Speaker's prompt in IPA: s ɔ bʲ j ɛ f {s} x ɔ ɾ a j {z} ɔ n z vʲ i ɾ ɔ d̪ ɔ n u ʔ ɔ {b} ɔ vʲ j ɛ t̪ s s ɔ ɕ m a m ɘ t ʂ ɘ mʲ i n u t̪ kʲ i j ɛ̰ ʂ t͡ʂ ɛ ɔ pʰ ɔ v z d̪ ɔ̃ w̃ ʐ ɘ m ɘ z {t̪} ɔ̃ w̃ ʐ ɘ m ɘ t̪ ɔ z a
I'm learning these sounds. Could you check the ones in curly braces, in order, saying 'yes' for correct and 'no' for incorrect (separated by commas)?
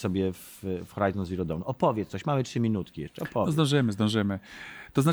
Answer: no, yes, no, no